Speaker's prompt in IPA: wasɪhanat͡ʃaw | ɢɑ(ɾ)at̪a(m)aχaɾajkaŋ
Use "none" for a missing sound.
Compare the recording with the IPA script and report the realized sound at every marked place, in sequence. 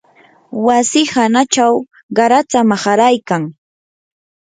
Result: ɾ, m

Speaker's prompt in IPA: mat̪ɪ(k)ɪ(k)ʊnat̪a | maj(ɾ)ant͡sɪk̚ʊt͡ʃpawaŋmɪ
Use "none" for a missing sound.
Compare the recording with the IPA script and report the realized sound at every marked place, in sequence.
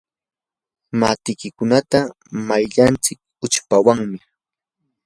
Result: k, k, ʎ

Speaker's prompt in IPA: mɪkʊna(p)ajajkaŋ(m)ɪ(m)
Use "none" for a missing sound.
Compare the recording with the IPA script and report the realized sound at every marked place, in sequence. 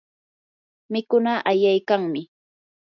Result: ʔ, m, none

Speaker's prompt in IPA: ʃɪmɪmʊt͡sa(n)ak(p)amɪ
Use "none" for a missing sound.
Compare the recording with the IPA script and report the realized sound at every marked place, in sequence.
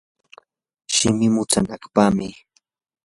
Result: n, p

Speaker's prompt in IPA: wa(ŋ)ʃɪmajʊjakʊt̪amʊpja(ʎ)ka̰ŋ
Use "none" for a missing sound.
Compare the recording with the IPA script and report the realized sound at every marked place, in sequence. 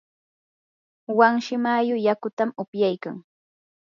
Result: ŋ, j

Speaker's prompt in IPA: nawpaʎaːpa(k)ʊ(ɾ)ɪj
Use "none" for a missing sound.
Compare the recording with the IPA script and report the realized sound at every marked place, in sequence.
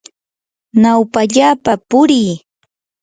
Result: p, ɾ

